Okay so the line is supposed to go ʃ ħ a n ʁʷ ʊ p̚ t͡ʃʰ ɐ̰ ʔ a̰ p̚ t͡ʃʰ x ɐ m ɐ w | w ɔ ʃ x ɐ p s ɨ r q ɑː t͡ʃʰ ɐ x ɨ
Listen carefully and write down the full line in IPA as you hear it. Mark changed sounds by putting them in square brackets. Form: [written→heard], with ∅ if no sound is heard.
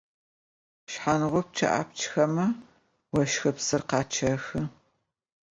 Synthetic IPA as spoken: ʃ ħ a n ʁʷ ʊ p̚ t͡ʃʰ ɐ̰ ʔ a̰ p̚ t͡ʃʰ x ɐ m ɐ [w→∅] | w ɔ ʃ x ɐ p s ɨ r q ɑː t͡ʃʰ ɐ x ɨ